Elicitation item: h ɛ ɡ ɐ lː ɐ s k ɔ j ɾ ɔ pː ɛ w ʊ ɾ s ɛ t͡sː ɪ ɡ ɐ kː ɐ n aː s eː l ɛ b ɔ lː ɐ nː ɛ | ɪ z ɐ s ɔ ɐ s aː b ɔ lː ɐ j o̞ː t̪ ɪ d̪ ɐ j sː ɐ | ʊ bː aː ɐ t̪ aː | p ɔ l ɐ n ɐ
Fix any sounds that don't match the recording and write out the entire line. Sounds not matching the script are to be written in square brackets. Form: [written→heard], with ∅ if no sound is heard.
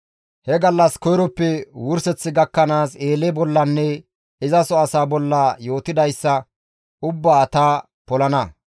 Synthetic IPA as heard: h ɛ ɡ ɐ lː ɐ s k ɔ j ɾ ɔ pː ɛ w ʊ ɾ s ɛ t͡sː ɪ ɡ ɐ kː ɐ n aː s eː l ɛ b ɔ lː ɐ nː ɛ | ɪ z ɐ s ɔ ɐ s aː b ɔ lː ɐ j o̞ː t̪ ɪ d̪ ɐ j sː ɐ | ʊ bː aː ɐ t̪ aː | p ɔ l ɐ n ɐ